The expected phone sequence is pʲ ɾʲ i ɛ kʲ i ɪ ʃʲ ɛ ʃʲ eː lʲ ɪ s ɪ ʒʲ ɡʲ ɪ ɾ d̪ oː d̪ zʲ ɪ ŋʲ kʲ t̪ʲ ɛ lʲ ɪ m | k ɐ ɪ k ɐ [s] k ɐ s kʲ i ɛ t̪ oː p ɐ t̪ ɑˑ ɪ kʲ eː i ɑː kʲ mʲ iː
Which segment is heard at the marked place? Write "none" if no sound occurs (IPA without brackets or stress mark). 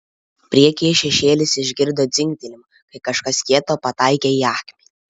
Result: ʃ